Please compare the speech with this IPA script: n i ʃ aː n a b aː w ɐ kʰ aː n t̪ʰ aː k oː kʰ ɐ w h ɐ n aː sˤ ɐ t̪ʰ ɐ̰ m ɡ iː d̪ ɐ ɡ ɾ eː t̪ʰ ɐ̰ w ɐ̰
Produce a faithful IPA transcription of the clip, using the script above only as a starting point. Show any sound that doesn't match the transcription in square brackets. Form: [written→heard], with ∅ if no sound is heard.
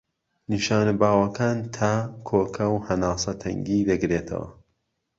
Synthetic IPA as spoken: n i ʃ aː n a b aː w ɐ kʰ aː n t̪ʰ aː [k→kʰ] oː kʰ ɐ w h ɐ n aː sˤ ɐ t̪ʰ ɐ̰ [m→ŋ] ɡ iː d̪ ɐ ɡ ɾ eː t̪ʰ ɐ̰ w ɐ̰